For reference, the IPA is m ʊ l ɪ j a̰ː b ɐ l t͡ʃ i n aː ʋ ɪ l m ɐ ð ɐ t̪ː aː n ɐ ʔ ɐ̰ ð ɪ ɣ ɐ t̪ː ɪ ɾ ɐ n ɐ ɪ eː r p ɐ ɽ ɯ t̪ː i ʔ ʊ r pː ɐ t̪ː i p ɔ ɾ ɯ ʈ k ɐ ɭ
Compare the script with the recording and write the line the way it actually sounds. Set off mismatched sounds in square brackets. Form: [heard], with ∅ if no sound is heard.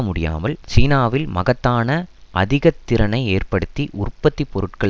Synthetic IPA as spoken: m ʊ [ɽ] ɪ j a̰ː [m] ɐ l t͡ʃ [iː] n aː ʋ ɪ l m ɐ [ɣ] ɐ t̪ː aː n ɐ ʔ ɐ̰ ð ɪ ɣ ɐ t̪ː ɪ ɾ ɐ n ɐ ɪ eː r p ɐ ɽ ɯ t̪ː i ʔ ʊ r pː ɐ t̪ː i p ɔ ɾ ɯ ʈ k ɐ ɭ